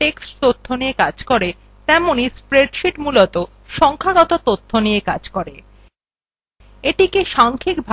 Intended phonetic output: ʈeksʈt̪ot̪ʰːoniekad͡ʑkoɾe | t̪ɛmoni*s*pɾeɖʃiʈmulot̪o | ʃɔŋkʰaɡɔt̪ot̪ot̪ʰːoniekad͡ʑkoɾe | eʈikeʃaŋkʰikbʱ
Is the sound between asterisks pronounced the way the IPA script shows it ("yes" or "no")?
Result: yes